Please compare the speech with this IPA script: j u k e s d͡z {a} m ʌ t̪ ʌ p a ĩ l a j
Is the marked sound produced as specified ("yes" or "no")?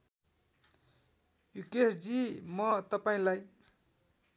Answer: no